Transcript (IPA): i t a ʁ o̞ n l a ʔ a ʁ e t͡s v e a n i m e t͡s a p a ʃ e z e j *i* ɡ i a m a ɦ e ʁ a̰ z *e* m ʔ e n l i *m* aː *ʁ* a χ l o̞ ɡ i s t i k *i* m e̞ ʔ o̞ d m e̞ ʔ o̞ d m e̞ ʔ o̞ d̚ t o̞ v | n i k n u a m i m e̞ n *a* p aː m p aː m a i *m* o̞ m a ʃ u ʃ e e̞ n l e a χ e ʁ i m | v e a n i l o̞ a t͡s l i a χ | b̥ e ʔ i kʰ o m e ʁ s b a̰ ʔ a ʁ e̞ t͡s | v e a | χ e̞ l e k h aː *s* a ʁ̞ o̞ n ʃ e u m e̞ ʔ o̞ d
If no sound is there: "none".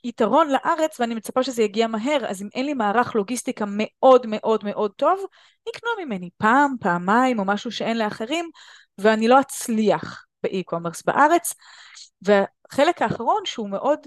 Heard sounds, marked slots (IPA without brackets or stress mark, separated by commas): a, i, m, ʁ, a, i, m, χ